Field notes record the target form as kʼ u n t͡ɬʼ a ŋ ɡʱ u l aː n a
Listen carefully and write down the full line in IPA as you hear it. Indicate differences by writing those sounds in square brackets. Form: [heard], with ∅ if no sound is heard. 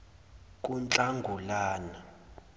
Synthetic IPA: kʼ u n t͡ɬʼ a ŋ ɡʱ u l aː n a